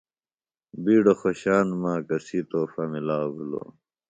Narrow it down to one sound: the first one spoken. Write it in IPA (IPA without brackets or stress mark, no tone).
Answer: b